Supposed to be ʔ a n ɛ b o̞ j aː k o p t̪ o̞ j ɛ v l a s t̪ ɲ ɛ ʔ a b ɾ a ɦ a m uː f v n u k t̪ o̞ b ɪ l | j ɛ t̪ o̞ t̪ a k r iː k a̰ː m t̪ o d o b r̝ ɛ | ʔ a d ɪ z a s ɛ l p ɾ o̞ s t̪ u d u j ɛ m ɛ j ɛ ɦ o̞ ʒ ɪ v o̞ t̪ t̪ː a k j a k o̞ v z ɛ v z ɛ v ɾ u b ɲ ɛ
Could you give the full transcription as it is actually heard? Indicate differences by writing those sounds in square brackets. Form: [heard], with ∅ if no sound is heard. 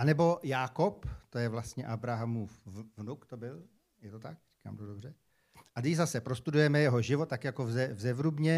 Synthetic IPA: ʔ a n ɛ b o̞ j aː k o p t̪ o̞ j ɛ v l a s t̪ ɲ ɛ ʔ a b ɾ a ɦ a m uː f v n u k t̪ o̞ b ɪ l | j ɛ t̪ o̞ t̪ a k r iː k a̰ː m t̪ o d o b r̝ ɛ | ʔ a d ɪ z a s ɛ [∅] p ɾ o̞ s t̪ u d u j ɛ m ɛ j ɛ ɦ o̞ ʒ ɪ v o̞ t̪ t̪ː a k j a k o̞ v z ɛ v z ɛ v ɾ u b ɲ ɛ